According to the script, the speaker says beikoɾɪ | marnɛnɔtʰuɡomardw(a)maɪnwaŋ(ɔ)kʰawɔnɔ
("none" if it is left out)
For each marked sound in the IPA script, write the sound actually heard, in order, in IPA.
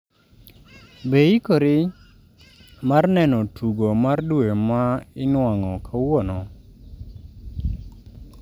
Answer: e, ɔ

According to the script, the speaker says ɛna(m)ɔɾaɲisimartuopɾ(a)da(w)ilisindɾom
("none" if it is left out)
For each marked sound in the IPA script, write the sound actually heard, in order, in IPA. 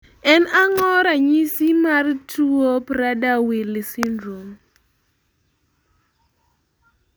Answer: ŋ, a, w

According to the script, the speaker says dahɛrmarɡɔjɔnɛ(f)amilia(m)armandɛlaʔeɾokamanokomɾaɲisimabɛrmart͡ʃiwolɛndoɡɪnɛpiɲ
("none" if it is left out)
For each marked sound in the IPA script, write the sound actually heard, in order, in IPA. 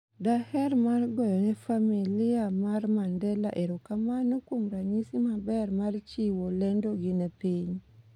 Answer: f, m

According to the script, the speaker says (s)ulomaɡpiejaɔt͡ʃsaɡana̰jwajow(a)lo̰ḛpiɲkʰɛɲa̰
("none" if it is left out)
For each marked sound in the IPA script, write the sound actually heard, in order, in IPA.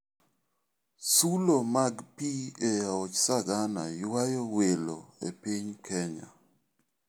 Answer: s, e

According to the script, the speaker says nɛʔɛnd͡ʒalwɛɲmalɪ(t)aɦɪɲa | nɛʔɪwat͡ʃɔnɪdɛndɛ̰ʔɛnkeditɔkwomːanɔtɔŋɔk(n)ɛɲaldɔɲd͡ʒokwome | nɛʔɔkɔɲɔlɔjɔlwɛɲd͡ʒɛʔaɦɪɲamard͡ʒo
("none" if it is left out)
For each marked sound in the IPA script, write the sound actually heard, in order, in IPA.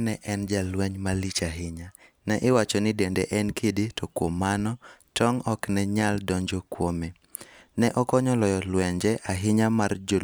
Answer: t͡ʃ, n

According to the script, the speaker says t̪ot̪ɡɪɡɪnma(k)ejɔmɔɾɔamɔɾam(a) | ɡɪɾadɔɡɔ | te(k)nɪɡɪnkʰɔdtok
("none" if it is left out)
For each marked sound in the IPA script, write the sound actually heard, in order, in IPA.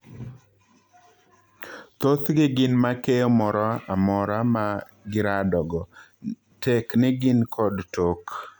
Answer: k, a, k

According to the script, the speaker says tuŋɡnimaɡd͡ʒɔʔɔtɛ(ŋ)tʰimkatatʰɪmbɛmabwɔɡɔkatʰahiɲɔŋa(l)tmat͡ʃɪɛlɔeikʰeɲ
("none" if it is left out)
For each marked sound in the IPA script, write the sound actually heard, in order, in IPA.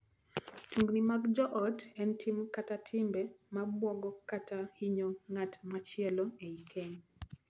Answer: n, none

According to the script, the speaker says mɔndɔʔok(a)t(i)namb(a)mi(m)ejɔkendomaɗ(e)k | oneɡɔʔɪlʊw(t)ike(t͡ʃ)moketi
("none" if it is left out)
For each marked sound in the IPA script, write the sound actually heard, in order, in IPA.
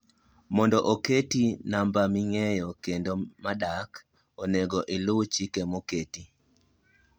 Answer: e, i, a, ŋ, a, t͡ʃ, none

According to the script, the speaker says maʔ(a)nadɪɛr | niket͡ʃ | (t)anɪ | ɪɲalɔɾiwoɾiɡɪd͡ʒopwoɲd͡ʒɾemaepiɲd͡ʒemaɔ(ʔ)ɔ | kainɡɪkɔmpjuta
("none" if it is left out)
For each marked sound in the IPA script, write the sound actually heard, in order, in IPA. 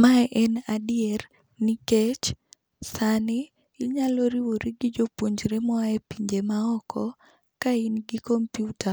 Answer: ɛ, s, k

